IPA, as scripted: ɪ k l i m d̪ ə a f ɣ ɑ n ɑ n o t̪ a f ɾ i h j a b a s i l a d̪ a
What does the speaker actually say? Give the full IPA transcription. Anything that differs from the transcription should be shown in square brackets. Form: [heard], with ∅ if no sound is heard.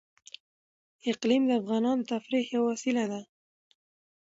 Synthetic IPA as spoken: ɪ [q] l i m d̪ ə a f ɣ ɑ n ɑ n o t̪ a f ɾ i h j a [w] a s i l a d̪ a